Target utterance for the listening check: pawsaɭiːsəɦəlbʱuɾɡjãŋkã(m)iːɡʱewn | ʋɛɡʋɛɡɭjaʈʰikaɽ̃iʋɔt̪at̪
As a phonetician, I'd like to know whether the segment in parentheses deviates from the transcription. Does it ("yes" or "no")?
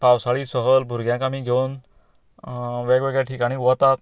no